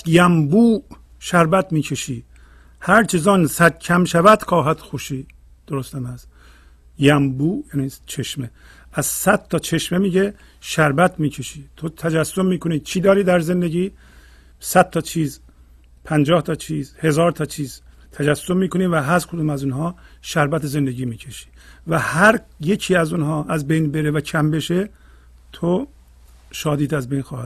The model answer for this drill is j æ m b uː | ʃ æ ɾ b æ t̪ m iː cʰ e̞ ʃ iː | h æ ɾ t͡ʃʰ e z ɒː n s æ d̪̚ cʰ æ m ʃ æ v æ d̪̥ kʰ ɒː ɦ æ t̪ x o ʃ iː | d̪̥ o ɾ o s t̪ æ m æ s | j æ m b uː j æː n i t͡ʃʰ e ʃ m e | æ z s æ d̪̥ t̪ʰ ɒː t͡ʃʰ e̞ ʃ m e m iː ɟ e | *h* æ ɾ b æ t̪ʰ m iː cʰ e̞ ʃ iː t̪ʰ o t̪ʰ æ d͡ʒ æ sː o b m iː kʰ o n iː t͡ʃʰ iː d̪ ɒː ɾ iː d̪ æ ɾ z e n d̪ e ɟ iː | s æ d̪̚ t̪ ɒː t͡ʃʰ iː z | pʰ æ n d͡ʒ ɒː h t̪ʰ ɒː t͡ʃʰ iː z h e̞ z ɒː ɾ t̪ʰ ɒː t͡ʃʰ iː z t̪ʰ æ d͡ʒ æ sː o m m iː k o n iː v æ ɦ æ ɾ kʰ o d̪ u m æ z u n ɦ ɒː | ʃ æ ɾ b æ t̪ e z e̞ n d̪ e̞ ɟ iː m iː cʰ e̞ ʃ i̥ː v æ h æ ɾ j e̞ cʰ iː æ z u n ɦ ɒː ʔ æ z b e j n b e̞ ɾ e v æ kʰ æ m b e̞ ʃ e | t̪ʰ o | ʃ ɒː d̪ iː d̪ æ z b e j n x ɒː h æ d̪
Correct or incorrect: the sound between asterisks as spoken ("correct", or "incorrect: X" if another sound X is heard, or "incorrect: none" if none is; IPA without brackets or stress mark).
incorrect: ʃ